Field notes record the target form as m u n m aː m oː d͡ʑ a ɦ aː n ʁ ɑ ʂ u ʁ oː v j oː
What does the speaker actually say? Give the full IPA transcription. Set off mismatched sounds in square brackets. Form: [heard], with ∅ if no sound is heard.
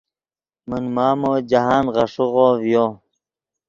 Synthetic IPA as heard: m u n m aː m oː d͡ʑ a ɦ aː n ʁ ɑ ʂ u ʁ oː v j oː